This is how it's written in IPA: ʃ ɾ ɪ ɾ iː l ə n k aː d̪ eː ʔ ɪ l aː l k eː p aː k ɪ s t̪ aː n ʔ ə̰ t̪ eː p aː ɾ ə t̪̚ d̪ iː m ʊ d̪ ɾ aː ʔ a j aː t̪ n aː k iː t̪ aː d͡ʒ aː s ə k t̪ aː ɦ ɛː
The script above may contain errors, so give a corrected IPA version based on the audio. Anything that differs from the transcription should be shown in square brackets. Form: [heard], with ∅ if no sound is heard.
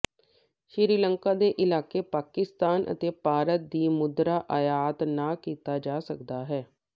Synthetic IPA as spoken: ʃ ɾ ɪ ɾ iː l ə [ŋ] k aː d̪ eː ʔ ɪ l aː [∅] k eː p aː k ɪ s t̪ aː n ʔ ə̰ t̪ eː p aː ɾ ə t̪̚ d̪ iː m ʊ d̪ ɾ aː ʔ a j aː t̪ n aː k iː t̪ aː d͡ʒ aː s ə k [d̪] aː ɦ ɛː